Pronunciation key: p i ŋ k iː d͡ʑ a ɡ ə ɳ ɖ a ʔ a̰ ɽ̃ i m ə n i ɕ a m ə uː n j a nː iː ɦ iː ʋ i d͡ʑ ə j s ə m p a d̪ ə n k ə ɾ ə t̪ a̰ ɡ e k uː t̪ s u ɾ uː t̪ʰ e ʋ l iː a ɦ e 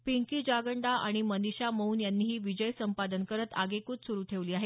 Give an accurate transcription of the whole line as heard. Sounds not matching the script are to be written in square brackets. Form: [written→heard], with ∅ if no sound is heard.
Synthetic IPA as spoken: p i ŋ k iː d͡ʑ a ɡ ə ɳ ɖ a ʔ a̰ ɽ̃ i m ə n i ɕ a m ə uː n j a nː iː ɦ iː ʋ i d͡ʑ ə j s ə m p a d̪ ə n k ə ɾ ə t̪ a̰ ɡ e k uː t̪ s u ɾ uː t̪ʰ e ʋ l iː a ɦ e

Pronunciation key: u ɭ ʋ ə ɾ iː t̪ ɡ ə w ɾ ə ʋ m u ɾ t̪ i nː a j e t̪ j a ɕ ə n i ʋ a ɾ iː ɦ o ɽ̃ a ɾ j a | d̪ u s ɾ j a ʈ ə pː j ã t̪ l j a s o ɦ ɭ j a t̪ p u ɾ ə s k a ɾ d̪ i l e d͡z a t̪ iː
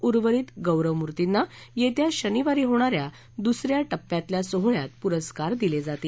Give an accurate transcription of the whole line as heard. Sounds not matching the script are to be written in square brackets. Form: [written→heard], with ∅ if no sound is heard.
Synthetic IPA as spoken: u [ɭ→ɾ] ʋ ə ɾ iː t̪ ɡ ə w ɾ ə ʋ m u ɾ t̪ i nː a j e t̪ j a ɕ ə n i ʋ a ɾ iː ɦ o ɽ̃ a ɾ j a | d̪ u s ɾ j a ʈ ə pː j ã t̪ l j a s o ɦ ɭ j a t̪ p u ɾ ə s k a ɾ d̪ i l e d͡z a t̪ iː

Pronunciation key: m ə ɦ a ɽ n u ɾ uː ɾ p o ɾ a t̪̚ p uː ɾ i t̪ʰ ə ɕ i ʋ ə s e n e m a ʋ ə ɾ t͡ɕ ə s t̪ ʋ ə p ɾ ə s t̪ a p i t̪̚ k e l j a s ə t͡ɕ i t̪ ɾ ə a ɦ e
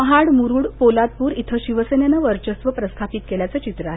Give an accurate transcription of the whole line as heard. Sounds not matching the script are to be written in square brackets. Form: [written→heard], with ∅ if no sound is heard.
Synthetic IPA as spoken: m ə ɦ a ɽ [n→m] u ɾ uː [ɾ→ɽ] p o [ɾ→l] a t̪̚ p uː ɾ i t̪ʰ ə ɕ i ʋ ə s e n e [m→n] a ʋ ə ɾ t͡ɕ ə s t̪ ʋ ə p ɾ ə s [t̪→t̪ʰ] a p i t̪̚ k e l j a [s→t͡s] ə t͡ɕ i t̪ ɾ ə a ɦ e

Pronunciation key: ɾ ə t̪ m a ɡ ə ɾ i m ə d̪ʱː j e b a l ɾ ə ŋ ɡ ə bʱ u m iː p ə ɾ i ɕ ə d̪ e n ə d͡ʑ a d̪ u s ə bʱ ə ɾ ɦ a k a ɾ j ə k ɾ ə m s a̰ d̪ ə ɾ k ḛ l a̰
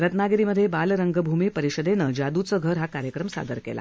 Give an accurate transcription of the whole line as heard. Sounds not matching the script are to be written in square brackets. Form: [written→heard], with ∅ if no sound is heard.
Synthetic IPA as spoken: ɾ ə t̪ [m→n] a ɡ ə ɾ i m ə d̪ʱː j e b a l ɾ ə ŋ ɡ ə bʱ u m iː p ə ɾ i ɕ ə d̪ e n ə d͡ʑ a d̪ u [s→t͡s] ə [bʱ→ɡʱ] ə ɾ ɦ a k a ɾ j ə k ɾ ə m s a̰ d̪ ə ɾ k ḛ l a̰

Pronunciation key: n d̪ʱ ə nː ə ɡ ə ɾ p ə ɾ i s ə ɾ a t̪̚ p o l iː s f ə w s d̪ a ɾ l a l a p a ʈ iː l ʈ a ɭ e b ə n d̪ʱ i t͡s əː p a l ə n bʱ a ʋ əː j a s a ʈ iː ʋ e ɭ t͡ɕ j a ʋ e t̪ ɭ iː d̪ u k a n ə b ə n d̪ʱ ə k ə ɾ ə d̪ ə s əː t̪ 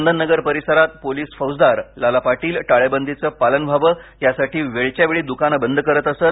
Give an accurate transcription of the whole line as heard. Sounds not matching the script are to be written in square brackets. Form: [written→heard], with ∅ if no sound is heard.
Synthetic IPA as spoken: n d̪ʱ ə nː ə ɡ ə ɾ p ə ɾ i s ə ɾ a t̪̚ p o l iː s f ə w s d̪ a ɾ l a l a p a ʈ iː l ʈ a ɭ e b ə n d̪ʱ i t͡s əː p a l ə n bʱ a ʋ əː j a s a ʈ iː ʋ e ɭ t͡ɕ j a ʋ e [t̪→∅] ɭ iː d̪ u k a n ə b ə n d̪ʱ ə k ə ɾ ə [d̪→t̪] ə s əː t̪

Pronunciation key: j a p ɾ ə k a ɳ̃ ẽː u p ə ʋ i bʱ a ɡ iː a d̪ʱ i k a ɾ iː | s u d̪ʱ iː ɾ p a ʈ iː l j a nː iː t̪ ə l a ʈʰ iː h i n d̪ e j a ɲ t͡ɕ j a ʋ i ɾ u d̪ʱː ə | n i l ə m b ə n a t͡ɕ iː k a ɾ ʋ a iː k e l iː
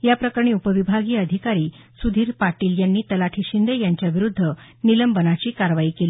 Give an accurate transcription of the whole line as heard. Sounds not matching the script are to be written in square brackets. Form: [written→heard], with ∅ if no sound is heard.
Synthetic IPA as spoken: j a p ɾ ə k a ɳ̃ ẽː u p ə ʋ i bʱ a ɡ iː [a→ə] d̪ʱ i k a ɾ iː | s u d̪ʱ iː ɾ p a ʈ iː l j a nː iː t̪ ə l a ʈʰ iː [h→ɕ] i n d̪ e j a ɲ t͡ɕ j a ʋ i ɾ u d̪ʱː ə | n i l ə m b ə n a t͡ɕ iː k a ɾ ʋ a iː k e l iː

